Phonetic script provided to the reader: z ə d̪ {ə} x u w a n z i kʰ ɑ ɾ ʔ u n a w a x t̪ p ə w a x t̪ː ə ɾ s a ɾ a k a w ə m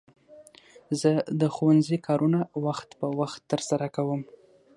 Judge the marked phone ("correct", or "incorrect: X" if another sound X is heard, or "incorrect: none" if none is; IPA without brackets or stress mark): correct